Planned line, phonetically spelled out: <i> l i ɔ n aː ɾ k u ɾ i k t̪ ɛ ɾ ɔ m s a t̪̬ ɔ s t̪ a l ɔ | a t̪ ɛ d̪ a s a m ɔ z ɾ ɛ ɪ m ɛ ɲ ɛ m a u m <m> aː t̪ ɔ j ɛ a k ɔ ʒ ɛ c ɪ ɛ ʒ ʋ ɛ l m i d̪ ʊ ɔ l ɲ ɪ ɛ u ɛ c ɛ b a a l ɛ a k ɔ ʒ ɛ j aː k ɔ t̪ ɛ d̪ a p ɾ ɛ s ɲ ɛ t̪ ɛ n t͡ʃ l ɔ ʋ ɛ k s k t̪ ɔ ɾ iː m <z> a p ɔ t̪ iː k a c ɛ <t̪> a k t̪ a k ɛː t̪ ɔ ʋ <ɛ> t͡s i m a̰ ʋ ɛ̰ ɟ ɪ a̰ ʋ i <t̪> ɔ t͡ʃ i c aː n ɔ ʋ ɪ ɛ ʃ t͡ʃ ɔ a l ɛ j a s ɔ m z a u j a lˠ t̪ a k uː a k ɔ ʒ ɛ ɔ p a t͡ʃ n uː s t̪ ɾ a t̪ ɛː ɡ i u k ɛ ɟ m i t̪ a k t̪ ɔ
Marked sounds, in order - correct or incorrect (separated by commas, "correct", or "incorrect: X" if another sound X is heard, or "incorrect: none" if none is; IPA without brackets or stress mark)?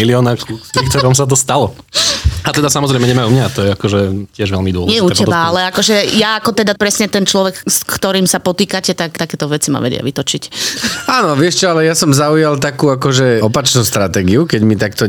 correct, incorrect: ɲ, incorrect: s, correct, correct, correct